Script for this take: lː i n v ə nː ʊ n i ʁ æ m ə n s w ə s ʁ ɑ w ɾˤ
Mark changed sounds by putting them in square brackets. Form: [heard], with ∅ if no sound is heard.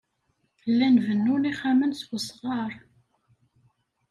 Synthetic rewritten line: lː [æ] n v ə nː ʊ n i [χ] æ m ə n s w ə s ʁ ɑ [∅] ɾˤ